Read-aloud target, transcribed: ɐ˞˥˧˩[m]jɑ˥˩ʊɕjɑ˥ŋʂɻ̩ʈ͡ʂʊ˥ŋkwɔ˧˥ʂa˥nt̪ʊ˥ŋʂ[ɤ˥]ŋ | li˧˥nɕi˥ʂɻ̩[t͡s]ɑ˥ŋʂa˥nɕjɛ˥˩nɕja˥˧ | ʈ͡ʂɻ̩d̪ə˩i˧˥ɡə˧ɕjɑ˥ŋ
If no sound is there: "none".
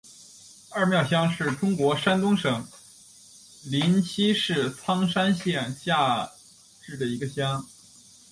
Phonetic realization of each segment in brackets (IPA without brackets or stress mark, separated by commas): m, ɤ˨˩˦, t͡sʰ